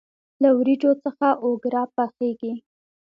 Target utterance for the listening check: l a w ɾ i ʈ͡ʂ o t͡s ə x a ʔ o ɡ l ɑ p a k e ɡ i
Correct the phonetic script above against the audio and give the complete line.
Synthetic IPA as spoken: l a w ɾ i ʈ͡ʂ o t͡s ə x a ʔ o ɡ ɾ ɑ p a x e ɡ i